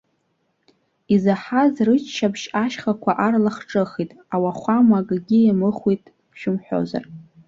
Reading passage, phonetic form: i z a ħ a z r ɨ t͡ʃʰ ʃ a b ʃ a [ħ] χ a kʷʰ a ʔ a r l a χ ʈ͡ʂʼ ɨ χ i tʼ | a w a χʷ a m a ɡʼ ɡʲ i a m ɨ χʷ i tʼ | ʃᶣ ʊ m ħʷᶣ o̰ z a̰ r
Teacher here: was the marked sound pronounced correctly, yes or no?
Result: no